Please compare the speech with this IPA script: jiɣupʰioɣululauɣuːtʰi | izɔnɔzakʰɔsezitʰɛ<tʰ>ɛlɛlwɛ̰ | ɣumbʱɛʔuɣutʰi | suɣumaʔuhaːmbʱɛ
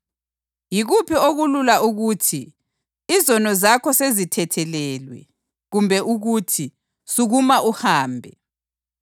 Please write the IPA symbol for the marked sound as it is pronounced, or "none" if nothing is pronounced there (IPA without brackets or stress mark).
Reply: tʰ